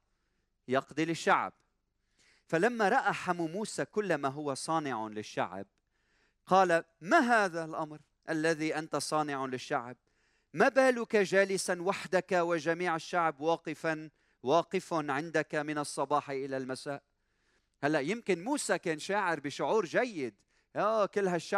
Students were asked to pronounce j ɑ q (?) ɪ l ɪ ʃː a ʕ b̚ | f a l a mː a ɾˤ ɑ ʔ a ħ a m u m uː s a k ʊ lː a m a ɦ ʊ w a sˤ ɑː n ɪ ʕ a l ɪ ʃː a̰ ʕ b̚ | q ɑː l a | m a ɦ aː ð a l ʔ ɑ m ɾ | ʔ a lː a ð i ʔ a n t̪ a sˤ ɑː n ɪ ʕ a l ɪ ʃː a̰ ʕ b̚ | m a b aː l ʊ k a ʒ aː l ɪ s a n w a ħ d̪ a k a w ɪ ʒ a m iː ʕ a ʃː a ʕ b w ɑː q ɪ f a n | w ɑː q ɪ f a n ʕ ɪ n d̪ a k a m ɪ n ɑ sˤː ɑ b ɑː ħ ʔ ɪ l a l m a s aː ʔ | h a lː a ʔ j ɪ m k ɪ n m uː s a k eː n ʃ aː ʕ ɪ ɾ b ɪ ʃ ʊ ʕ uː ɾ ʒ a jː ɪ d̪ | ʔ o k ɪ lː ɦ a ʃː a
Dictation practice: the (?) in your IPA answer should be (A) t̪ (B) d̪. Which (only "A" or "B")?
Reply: B